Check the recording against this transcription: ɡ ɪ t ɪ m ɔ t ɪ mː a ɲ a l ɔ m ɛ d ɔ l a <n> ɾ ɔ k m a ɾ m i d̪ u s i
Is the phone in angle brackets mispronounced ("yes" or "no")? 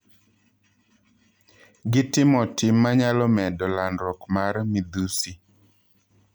no